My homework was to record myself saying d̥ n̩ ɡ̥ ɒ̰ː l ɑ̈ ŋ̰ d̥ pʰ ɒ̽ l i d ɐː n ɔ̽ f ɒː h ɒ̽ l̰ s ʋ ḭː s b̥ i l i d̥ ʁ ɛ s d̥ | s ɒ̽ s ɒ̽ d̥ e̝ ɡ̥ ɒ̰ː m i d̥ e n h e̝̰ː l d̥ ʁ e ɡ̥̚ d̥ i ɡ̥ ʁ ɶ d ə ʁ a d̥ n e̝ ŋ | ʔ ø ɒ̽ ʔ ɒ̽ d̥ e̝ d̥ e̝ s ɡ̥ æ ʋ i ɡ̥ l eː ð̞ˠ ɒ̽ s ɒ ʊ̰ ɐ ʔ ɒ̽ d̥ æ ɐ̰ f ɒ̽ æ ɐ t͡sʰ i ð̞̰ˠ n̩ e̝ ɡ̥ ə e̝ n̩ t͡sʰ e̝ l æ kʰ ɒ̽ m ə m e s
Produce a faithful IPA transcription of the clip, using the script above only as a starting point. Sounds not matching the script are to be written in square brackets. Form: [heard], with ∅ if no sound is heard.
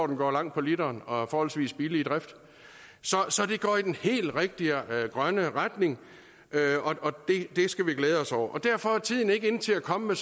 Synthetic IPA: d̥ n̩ ɡ̥ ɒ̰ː l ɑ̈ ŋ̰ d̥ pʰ ɒ̽ l i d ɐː n [ɒ̽] f ɒː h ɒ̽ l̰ s ʋ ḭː s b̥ i l i d̥ ʁ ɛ [f] d̥ | s ɒ̽ s ɒ̽ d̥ e̝ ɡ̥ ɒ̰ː [∅] i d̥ e n h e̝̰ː l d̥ ʁ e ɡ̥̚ d̥ i ɡ̥ ʁ ɶ [n] ə ʁ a d̥ n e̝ ŋ | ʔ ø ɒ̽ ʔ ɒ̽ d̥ e̝ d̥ e̝ s ɡ̥ æ ʋ i ɡ̥ l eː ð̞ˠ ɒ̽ s ɒ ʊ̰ ɐ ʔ ɒ̽ d̥ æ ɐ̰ f ɒ̽ æ ɐ t͡sʰ i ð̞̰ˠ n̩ e̝ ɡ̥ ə e̝ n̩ t͡sʰ e̝ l æ kʰ ɒ̽ m ə m e s